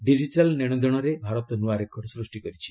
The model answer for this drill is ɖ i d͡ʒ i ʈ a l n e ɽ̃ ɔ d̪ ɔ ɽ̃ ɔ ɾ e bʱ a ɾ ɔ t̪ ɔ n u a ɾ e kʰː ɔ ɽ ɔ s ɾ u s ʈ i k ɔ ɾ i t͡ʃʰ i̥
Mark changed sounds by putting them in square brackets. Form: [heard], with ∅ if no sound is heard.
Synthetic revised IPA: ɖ i d͡ʒ i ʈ a l n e ɽ̃ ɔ d̪ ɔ ɽ̃ ɔ ɾ e bʱ a ɾ ɔ t̪ ɔ n u a ɾ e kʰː ɔ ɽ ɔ s ɾ u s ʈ i k ɔ ɾ i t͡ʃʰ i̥